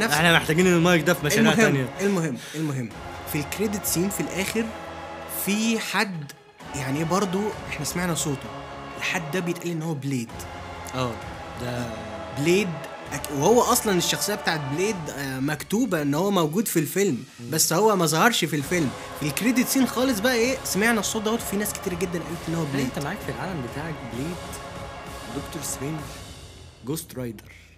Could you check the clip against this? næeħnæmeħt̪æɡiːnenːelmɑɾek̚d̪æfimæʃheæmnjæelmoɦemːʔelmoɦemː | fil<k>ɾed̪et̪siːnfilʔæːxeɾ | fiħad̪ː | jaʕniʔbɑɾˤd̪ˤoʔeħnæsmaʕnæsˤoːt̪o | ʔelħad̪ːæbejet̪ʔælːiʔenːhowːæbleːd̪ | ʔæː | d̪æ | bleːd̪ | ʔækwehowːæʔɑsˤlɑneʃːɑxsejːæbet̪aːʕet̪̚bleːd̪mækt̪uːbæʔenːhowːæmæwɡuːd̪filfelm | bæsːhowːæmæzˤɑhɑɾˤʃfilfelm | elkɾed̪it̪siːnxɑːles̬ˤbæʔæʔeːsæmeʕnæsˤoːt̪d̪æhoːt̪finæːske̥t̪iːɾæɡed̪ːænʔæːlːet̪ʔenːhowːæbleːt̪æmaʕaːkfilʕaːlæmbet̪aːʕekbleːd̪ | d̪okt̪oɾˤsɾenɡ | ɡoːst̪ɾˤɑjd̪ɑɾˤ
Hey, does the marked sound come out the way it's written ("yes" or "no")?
yes